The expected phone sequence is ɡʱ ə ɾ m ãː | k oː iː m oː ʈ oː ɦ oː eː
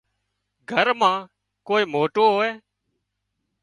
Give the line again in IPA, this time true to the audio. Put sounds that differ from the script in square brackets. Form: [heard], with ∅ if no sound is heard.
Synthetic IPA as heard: ɡʱ ə ɾ m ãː | k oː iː m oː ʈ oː ɦ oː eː